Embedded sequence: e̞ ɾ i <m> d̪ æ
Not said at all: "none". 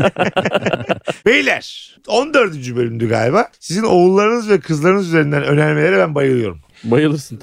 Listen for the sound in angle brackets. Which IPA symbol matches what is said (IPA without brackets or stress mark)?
n